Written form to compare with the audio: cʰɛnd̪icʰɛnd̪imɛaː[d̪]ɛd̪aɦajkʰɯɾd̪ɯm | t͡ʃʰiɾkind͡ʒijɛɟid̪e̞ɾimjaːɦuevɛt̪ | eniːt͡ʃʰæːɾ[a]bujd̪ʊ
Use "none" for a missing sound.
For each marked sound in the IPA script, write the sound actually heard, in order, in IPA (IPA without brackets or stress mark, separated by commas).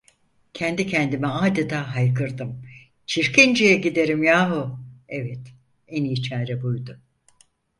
d̪, ɛ